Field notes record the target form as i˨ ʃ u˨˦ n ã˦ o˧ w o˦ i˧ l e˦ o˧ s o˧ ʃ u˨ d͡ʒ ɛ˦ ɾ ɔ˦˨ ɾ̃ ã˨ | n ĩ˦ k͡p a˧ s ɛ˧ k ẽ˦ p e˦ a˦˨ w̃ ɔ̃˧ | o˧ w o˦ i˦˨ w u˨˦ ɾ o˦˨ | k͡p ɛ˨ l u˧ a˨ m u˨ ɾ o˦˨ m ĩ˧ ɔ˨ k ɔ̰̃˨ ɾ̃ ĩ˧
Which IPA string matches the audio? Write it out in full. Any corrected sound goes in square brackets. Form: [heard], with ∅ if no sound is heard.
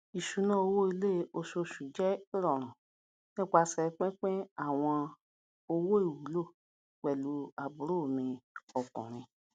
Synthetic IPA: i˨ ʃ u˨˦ n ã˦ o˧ w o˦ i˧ l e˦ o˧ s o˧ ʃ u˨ d͡ʒ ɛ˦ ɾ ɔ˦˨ ɾ̃ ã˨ | n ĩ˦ k͡p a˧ s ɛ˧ [k͡p] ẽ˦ [k͡p] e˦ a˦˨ w̃ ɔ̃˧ | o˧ w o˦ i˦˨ w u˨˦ [l] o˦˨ | k͡p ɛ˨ l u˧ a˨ [b] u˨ ɾ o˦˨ m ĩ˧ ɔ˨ k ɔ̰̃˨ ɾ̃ ĩ˧